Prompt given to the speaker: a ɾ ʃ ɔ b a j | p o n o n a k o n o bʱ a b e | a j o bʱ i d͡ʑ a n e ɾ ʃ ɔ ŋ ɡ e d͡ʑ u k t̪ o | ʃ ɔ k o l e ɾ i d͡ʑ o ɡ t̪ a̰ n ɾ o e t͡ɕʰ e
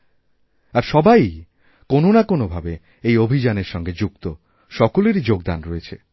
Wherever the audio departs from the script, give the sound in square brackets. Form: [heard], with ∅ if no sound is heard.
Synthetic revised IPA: a ɾ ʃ ɔ b a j | [k] o n o n a k o n o bʱ a b e | [e] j o bʱ i d͡ʑ a n e ɾ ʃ ɔ ŋ ɡ e d͡ʑ u k t̪ o | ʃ ɔ k o l e ɾ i d͡ʑ o ɡ [d̪] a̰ n ɾ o e t͡ɕʰ e